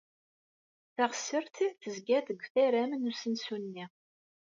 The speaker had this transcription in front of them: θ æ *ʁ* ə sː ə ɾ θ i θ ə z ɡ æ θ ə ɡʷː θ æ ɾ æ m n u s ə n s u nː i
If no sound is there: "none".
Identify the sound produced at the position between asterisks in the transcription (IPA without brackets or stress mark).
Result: ʁ